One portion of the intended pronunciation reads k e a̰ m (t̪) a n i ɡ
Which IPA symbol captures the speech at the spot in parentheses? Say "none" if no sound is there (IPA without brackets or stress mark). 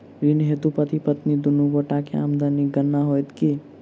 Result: d̪